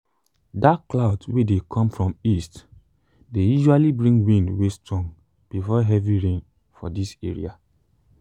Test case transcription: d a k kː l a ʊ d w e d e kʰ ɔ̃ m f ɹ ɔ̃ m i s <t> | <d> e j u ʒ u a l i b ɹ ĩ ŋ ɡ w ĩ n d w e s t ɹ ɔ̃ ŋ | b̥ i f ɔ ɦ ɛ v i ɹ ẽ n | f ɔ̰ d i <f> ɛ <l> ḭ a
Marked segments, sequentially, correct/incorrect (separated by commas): correct, correct, incorrect, incorrect